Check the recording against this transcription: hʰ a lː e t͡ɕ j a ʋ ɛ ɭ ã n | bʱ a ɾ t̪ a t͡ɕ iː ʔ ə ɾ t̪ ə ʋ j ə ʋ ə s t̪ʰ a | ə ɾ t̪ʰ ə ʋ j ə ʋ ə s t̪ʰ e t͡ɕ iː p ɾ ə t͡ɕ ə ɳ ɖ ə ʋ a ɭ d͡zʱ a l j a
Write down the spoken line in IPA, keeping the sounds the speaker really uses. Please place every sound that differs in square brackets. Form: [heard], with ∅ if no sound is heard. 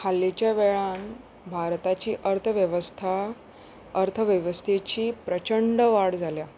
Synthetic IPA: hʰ a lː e t͡ɕ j a ʋ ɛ ɭ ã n | bʱ a ɾ t̪ a t͡ɕ iː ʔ ə ɾ [t̪ʰ] ə ʋ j ə ʋ ə s t̪ʰ a | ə ɾ t̪ʰ ə ʋ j ə ʋ ə s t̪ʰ e t͡ɕ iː p ɾ ə t͡ɕ ə ɳ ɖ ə ʋ a [ɽ] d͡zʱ a l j a